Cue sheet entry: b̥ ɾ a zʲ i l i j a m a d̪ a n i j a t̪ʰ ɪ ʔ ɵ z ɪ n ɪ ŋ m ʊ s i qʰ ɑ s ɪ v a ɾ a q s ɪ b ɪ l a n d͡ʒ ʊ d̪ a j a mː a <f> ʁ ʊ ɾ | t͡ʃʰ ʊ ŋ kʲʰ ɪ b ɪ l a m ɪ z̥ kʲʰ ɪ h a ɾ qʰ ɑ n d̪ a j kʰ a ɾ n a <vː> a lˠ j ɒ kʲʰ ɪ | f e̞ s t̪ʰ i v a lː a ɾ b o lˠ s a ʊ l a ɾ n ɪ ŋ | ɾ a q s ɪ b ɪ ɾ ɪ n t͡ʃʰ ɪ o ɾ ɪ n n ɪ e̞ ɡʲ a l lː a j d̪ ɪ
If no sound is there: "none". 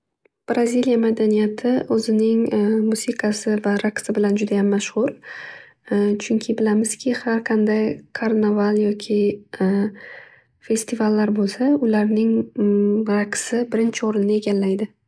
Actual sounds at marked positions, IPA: ʃ, v

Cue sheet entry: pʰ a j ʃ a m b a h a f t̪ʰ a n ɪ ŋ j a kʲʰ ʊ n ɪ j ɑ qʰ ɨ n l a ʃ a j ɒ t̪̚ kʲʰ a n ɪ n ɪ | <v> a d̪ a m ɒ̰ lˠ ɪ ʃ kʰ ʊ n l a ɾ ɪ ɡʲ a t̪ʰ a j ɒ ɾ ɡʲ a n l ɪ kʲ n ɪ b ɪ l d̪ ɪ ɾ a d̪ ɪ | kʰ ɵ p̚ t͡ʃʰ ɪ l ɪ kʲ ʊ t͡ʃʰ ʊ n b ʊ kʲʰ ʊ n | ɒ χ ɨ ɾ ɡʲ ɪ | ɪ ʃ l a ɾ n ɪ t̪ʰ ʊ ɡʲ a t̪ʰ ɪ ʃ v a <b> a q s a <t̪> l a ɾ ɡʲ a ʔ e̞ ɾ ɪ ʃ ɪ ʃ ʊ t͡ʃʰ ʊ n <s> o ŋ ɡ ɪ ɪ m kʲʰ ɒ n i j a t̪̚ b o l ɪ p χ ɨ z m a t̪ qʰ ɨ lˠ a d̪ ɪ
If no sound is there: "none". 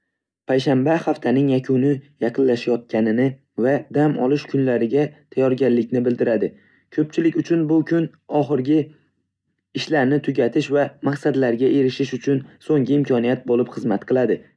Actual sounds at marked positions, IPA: v, m, d̪, s

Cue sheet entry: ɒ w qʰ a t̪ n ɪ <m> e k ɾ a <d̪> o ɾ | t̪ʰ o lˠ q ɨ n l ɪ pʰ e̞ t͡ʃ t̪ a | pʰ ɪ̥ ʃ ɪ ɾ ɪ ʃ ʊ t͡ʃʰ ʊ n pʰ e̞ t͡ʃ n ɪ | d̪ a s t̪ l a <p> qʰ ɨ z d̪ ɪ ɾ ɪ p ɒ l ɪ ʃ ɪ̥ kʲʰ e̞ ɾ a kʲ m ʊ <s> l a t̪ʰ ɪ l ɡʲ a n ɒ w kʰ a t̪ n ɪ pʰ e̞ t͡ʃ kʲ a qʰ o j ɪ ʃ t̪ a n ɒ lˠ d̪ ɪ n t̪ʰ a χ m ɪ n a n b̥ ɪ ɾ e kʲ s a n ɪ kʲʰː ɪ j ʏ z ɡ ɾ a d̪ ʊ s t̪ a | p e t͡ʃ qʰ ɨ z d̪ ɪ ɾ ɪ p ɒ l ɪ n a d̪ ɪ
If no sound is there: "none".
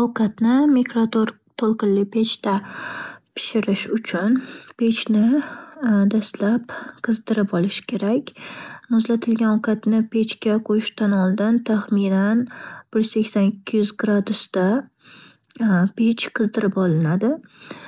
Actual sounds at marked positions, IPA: m, t̪, p, z

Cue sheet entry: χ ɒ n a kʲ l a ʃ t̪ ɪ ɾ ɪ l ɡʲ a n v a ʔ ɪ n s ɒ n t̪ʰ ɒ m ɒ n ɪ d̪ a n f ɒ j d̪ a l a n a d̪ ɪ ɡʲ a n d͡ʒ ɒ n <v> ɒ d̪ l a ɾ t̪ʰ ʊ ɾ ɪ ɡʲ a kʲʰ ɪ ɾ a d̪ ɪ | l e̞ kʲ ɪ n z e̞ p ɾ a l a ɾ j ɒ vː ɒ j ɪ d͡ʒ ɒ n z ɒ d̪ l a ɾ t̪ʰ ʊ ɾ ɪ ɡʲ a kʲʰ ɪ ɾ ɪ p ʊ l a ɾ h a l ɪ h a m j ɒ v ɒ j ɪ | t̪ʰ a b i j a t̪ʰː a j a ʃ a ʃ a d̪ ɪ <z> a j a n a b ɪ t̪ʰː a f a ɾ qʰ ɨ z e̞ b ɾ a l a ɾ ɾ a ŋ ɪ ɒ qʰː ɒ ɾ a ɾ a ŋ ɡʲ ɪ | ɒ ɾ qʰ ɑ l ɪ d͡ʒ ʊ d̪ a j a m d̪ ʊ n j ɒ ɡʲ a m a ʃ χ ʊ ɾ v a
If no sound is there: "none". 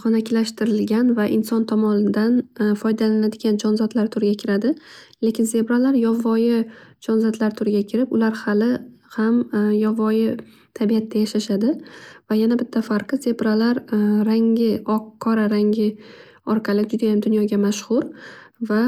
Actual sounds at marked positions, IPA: z, v

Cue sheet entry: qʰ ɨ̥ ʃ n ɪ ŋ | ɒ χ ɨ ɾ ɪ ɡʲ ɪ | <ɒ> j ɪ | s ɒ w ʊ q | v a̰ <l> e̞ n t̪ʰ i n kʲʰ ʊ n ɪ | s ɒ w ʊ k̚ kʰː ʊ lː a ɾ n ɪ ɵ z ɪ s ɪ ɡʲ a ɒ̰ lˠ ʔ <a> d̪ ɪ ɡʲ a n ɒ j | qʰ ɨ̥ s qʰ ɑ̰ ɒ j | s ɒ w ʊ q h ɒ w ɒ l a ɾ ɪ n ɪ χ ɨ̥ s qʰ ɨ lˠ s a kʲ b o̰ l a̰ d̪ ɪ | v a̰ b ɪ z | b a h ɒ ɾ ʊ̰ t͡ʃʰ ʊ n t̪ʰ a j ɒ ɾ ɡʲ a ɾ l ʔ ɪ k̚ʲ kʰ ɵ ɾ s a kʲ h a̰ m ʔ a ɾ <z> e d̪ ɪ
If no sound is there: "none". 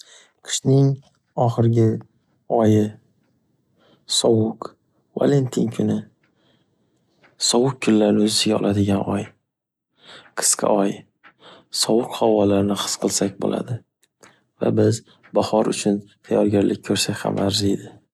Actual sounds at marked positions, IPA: ɒ, l, a, z

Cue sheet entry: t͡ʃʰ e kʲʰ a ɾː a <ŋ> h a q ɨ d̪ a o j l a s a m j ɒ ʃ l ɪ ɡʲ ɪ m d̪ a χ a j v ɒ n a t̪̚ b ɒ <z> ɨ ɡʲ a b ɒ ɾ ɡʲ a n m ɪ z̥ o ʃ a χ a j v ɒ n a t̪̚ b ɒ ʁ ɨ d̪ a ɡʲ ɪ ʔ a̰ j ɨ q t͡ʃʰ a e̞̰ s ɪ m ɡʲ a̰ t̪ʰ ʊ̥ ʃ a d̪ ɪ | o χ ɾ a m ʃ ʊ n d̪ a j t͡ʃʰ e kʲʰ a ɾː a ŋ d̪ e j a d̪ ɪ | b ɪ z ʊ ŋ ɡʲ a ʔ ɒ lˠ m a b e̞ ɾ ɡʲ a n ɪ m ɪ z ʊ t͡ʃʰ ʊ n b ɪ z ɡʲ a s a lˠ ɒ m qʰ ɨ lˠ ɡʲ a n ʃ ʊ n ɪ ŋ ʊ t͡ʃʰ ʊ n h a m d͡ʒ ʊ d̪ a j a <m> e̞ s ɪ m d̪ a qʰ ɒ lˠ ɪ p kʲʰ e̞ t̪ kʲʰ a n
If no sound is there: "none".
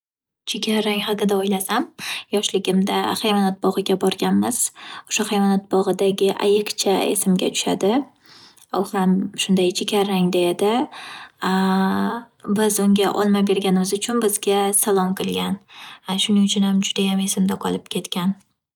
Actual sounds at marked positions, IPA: ŋ, ʁ, m

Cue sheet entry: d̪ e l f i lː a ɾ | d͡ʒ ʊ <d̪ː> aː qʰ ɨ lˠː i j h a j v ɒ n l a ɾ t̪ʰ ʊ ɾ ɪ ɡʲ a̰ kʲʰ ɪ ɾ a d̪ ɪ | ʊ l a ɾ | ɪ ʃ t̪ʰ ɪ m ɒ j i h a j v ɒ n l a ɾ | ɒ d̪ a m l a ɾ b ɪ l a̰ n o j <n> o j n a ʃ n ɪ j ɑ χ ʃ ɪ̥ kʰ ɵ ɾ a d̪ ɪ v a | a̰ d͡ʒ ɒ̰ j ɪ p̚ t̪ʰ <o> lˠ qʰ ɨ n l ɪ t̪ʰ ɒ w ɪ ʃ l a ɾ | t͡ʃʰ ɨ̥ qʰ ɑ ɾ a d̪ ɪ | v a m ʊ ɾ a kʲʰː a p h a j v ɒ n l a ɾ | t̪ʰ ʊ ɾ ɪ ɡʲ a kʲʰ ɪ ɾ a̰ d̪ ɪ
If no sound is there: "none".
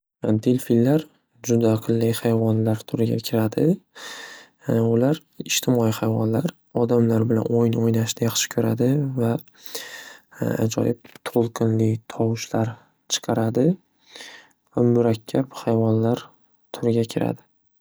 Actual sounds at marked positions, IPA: d̪, n, o

